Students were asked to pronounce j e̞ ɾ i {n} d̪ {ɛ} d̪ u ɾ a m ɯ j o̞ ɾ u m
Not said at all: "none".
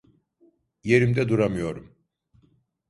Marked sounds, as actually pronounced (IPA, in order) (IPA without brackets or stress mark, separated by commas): m, ɛ